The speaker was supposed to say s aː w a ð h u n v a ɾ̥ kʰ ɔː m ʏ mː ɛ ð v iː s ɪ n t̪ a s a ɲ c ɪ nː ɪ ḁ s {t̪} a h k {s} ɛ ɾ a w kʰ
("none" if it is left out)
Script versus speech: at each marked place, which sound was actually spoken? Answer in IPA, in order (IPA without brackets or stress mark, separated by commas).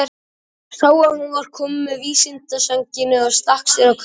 t̪, s